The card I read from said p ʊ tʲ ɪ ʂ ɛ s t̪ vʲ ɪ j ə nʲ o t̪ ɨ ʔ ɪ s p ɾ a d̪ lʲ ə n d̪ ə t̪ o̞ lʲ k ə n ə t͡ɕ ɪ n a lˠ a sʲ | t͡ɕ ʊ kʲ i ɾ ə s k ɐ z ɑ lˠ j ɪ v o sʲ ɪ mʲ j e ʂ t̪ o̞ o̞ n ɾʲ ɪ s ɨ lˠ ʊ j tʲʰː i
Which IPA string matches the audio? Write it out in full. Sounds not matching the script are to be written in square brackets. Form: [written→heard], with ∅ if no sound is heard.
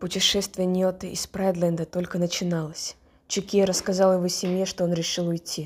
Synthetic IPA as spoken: p ʊ tʲ ɪ ʂ ɛ s t̪ vʲ ɪ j ə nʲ o t̪ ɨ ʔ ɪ s p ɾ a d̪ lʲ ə n d̪ ə t̪ o̞ lʲ k ə n ə t͡ɕ ɪ n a lˠ [a→ə] sʲ | t͡ɕ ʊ kʲ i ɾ ə s k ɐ z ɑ lˠ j ɪ v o sʲ ɪ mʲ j e ʂ t̪ o̞ o̞ n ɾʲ ɪ [s→ʂ] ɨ lˠ ʊ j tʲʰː i